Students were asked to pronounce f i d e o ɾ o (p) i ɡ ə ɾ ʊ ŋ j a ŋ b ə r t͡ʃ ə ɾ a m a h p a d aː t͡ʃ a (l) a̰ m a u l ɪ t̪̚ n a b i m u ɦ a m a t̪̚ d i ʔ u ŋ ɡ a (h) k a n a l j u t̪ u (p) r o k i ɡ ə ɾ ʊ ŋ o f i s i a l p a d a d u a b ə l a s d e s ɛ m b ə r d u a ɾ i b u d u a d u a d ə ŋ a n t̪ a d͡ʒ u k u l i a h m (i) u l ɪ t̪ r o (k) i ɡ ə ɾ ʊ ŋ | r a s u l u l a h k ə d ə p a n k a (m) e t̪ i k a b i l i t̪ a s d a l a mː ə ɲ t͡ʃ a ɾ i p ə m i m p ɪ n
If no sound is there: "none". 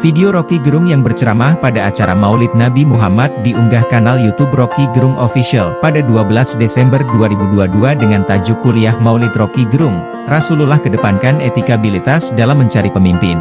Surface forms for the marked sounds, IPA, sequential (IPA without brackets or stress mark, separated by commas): k, ɾ, h, b, a, k, n